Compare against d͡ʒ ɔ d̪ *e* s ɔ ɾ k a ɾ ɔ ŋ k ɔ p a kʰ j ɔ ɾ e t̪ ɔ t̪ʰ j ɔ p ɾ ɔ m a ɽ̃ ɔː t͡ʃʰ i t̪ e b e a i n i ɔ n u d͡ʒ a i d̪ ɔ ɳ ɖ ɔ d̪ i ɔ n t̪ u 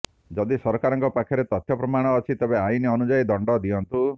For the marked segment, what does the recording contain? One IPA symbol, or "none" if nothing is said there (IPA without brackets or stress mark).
i